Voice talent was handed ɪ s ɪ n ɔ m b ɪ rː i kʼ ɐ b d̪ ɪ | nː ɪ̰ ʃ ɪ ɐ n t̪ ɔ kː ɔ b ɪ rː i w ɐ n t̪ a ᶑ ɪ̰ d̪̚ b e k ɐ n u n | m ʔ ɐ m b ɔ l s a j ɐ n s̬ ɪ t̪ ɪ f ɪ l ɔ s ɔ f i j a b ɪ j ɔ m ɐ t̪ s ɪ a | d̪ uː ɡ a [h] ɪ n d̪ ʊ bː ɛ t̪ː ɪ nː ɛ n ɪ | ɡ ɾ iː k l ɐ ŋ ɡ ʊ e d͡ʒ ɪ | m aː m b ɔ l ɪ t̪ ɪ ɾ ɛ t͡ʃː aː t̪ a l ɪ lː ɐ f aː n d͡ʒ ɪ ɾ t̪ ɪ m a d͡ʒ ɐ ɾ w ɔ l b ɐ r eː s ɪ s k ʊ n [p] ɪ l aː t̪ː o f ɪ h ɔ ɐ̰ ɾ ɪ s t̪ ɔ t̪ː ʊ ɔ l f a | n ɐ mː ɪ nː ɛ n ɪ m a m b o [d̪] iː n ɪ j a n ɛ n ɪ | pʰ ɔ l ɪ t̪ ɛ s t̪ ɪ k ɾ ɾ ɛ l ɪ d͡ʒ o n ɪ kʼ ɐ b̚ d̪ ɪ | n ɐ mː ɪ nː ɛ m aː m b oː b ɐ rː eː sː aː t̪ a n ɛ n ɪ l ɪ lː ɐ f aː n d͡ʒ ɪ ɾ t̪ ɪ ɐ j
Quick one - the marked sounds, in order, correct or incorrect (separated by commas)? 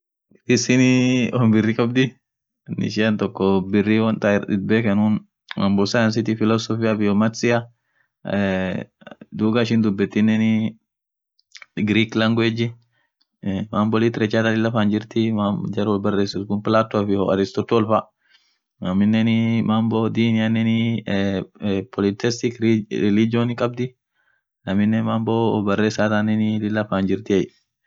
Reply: incorrect, correct, correct